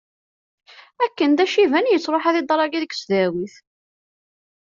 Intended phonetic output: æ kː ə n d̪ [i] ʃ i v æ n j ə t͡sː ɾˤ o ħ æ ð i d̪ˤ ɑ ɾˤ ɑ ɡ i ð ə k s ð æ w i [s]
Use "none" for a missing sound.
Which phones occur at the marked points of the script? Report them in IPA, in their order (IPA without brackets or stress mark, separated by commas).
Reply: æ, θ